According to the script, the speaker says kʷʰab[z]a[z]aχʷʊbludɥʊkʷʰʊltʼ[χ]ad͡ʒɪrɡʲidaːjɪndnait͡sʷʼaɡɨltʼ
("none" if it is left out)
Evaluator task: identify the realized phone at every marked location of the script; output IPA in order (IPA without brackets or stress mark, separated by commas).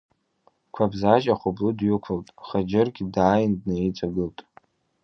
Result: z, ʒ, χ